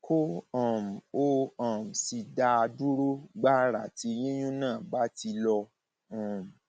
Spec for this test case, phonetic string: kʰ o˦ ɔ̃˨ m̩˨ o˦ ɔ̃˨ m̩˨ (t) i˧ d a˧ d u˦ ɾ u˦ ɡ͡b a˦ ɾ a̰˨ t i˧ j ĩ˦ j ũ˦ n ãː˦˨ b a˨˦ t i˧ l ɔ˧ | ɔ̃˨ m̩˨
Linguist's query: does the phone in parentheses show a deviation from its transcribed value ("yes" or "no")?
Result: yes